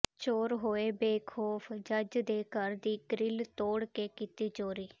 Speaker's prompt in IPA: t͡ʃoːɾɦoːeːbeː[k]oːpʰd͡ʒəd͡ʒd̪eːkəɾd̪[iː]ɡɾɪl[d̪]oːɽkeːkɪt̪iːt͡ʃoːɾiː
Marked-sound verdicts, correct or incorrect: incorrect: kʰ, correct, incorrect: t̪

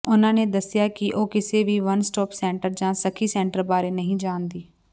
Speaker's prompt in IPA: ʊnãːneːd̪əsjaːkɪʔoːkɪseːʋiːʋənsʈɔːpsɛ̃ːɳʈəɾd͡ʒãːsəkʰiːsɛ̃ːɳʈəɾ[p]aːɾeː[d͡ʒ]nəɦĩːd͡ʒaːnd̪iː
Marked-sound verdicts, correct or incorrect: incorrect: b, incorrect: none

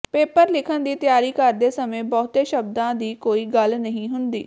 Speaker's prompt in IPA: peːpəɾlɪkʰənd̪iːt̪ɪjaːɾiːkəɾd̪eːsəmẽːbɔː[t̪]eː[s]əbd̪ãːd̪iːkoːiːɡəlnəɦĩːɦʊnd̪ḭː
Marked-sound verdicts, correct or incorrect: correct, incorrect: ʃ

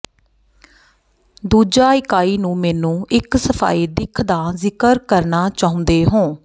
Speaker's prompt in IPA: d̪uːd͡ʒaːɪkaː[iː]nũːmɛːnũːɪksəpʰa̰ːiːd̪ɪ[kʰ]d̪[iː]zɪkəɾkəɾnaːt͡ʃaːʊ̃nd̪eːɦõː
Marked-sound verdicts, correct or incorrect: correct, correct, incorrect: aː

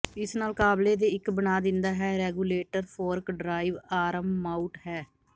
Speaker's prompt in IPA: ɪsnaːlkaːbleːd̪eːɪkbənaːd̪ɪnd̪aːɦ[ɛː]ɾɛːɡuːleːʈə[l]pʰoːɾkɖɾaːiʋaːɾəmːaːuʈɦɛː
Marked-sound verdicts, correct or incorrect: correct, incorrect: ɾ

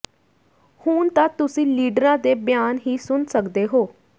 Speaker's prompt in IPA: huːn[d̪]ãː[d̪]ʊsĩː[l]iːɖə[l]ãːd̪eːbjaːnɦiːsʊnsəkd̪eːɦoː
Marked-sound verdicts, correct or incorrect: incorrect: t̪, incorrect: t̪, correct, incorrect: ɾ

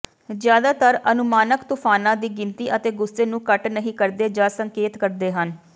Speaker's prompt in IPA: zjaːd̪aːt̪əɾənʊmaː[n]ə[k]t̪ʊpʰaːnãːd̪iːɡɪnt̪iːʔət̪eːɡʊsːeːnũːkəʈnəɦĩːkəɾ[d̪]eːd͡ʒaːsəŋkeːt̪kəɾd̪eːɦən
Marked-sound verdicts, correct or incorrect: correct, correct, correct

